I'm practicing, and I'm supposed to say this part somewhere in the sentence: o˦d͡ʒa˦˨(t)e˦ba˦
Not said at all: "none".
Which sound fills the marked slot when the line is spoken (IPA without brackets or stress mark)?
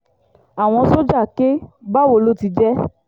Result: k